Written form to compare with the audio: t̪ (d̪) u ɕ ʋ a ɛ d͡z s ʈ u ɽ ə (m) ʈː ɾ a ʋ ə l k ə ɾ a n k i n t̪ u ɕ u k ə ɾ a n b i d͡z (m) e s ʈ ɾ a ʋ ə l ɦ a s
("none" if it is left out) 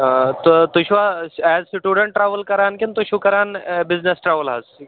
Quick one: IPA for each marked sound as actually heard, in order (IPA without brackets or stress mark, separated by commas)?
t̪, ɳ, n